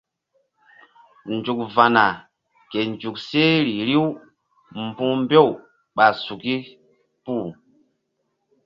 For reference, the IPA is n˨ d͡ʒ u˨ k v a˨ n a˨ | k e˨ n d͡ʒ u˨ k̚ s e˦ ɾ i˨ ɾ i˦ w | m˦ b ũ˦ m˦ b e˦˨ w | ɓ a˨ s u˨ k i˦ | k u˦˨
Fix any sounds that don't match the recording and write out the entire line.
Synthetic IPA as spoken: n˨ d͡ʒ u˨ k v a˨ n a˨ | k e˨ n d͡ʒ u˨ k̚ s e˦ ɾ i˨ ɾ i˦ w | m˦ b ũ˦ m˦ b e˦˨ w | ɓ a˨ s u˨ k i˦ | p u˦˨